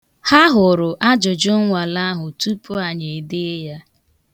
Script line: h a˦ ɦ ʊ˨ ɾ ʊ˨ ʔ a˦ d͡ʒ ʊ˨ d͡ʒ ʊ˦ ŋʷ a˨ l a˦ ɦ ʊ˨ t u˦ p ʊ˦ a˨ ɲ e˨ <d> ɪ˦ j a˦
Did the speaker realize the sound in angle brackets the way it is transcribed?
yes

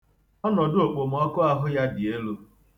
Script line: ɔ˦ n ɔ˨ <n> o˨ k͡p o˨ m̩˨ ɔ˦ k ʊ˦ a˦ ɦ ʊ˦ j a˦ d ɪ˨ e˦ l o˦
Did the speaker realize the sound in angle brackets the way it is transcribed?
no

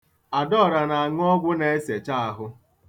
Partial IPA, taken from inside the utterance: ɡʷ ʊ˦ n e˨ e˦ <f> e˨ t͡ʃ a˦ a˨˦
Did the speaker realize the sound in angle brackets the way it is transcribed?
no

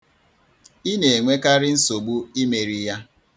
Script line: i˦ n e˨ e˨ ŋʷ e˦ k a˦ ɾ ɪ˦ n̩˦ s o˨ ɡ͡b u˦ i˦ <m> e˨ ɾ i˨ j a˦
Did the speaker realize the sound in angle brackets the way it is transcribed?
yes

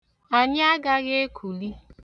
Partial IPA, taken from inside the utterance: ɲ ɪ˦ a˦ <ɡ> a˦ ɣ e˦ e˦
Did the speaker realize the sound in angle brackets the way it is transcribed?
yes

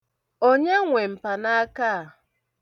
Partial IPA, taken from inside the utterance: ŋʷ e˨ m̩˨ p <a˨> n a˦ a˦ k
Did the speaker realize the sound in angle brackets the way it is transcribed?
yes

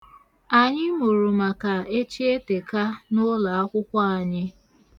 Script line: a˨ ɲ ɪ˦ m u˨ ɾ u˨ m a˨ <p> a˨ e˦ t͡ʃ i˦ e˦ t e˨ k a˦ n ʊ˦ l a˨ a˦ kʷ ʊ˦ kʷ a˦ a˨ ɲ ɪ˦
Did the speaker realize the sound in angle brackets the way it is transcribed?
no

